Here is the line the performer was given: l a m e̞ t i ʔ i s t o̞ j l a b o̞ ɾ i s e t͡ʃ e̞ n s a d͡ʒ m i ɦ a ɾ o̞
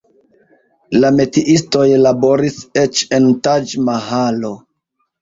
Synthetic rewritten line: l a m e̞ t i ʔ i s t o̞ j l a b o̞ ɾ i s e t͡ʃ e̞ n t a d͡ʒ m a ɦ a l o̞